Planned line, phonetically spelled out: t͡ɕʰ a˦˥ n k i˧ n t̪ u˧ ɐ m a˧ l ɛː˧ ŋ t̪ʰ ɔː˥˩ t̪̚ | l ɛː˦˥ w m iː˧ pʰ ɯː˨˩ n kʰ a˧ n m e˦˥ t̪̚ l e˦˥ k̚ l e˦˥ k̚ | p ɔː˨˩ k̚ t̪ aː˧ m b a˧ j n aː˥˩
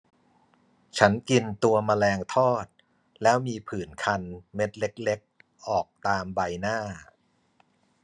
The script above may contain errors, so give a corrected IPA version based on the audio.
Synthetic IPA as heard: t͡ɕʰ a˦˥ n k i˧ n t̪ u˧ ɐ m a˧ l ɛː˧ ŋ t̪ʰ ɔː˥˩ t̪̚ | l ɛː˦˥ w m iː˧ pʰ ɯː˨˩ n kʰ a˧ n m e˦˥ t̪̚ l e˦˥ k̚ l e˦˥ k̚ | ʔ ɔː˨˩ k̚ t̪ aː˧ m b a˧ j n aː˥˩